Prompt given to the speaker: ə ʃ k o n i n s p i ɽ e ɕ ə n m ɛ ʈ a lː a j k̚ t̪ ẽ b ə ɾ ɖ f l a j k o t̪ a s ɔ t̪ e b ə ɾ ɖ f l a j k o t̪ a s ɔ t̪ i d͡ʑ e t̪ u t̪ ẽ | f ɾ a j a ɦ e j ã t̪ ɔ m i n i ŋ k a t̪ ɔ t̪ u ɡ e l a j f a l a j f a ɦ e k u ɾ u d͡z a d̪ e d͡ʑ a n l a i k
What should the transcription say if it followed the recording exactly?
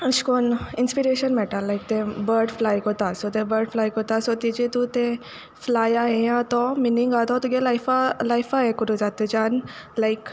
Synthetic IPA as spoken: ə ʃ k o n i n s p i ɾ e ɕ ə n m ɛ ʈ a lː a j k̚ t̪ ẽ b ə ɾ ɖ f l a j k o t̪ a s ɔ t̪ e b ə ɾ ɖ f l a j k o t̪ a s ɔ t̪ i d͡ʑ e t̪ u t̪ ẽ | f l a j a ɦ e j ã t̪ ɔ m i n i ŋ ɡ a t̪ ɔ t̪ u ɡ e l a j f a l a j f a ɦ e k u ɾ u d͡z a t̪ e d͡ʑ a n l a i k